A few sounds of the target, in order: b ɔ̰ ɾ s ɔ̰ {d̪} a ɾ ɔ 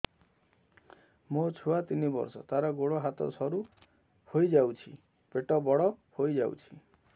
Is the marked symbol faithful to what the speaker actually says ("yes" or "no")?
no